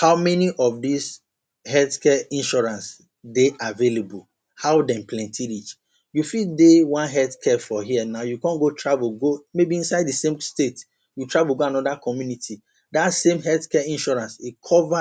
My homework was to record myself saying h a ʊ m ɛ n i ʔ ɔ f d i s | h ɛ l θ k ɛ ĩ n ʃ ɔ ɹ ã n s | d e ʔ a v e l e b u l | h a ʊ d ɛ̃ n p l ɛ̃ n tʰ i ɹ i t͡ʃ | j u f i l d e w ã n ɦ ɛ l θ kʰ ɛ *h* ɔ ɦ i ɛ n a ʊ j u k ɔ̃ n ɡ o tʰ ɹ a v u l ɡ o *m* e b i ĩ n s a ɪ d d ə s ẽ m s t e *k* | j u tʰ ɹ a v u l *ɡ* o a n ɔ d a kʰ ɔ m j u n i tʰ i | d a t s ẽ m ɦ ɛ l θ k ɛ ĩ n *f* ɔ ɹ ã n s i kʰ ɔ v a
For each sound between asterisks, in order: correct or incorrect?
incorrect, correct, incorrect, correct, incorrect

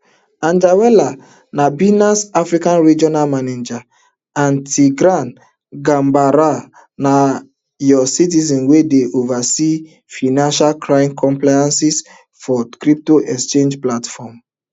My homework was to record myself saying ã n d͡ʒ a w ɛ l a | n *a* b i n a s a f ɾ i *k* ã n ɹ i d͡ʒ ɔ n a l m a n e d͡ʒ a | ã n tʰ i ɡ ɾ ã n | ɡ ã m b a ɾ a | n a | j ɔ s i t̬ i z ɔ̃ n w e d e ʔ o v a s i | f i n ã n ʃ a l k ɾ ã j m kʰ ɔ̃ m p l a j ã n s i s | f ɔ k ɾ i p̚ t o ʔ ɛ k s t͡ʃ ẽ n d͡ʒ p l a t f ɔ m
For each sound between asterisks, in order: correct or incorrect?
correct, correct

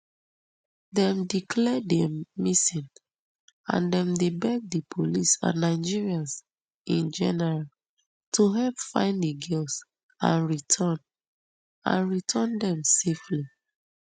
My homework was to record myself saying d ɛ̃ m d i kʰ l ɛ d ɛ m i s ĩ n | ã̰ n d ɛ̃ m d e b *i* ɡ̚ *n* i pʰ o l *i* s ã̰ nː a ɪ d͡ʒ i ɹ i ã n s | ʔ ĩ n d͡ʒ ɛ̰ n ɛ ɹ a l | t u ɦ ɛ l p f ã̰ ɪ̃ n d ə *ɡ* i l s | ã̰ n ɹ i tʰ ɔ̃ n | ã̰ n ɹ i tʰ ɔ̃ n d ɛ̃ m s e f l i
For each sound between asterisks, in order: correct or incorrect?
incorrect, incorrect, correct, correct

